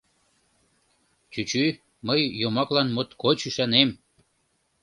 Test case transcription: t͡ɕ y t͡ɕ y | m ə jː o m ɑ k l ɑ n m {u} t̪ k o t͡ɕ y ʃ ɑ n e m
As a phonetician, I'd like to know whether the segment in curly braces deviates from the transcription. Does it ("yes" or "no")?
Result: yes